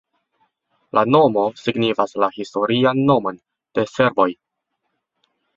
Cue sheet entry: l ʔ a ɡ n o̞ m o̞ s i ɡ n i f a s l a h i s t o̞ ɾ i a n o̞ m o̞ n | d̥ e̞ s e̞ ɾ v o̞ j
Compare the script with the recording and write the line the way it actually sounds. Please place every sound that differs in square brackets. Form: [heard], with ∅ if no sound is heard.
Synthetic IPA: l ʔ a [∅] n o̞ m o̞ s i ɡ n i f a s l a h i s t o̞ ɾ i a [nː] o̞ m o̞ n | d̥ e̞ s e̞ ɾ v o̞ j